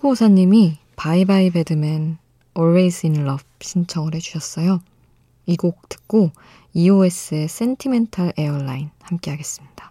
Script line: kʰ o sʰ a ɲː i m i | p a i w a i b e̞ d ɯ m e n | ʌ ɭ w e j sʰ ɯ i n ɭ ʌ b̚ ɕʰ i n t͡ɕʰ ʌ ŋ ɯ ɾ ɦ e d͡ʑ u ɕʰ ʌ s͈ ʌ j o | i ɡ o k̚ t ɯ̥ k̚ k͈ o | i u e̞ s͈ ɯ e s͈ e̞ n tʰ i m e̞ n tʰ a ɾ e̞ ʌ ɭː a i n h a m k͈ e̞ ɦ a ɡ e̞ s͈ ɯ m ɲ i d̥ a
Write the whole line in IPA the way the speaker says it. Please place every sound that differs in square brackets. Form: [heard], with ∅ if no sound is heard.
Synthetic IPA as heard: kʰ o sʰ a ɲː i m i | p a i [b] a i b e̞ d ɯ m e n | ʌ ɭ w e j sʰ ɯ i n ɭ ʌ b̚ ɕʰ i n t͡ɕʰ ʌ ŋ ɯ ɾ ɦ e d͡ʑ u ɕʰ ʌ s͈ ʌ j o | i ɡ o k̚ t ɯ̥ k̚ k͈ o | i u e̞ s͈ ɯ e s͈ e̞ n tʰ i m e̞ n tʰ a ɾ e̞ ʌ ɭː a i n h a m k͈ e̞ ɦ a ɡ e̞ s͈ ɯ m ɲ i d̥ a